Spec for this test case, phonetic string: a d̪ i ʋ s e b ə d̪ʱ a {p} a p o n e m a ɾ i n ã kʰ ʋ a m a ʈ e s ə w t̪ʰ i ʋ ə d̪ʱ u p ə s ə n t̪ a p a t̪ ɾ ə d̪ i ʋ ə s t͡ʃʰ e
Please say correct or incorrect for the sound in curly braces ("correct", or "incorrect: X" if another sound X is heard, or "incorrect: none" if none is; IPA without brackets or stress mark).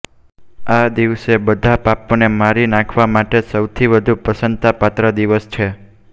correct